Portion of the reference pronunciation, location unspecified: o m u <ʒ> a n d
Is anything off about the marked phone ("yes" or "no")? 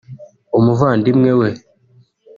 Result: yes